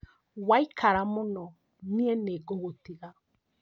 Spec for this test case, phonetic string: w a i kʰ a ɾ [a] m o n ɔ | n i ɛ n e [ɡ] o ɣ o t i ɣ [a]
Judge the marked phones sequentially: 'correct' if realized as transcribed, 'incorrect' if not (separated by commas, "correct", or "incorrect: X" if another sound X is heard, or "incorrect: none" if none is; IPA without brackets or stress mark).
correct, correct, correct